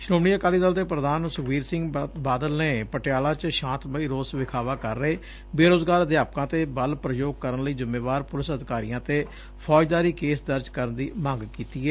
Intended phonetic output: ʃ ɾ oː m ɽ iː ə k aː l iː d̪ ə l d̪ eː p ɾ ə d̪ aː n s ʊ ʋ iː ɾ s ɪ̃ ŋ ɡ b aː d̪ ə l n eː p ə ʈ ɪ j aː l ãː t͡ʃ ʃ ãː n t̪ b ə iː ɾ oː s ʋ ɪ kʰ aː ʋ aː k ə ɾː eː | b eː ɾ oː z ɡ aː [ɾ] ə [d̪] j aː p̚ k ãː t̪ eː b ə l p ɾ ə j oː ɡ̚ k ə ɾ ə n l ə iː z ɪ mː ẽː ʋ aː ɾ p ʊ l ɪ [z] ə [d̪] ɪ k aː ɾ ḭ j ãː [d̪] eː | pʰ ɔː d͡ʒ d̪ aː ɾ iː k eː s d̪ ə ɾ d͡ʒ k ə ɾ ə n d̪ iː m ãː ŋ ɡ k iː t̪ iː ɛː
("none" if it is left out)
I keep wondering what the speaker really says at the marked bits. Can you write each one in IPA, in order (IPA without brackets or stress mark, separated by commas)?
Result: ɾ, d̪, s, d̪, t̪